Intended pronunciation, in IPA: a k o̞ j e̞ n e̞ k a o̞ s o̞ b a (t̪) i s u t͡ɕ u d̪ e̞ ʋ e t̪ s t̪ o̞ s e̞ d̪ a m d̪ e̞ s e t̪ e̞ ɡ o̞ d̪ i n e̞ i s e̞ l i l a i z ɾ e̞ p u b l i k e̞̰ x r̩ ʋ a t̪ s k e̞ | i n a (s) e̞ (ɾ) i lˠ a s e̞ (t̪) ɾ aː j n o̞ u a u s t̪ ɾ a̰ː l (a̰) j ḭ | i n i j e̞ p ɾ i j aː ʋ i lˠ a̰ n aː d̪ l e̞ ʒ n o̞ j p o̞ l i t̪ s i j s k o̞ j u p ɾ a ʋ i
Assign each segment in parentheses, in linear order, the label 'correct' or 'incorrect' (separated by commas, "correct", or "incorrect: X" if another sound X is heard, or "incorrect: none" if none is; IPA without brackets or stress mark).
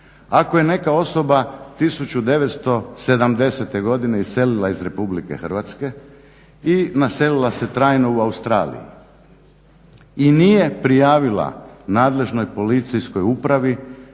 correct, correct, incorrect: l, correct, incorrect: ḭ